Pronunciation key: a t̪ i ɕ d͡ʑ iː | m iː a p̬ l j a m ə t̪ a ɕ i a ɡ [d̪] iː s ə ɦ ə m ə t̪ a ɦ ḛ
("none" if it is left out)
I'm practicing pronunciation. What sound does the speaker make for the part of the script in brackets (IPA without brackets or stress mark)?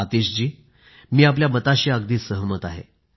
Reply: d̪